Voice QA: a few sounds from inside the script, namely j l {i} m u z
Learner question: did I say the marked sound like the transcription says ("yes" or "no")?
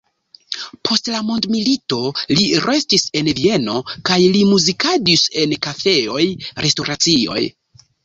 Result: yes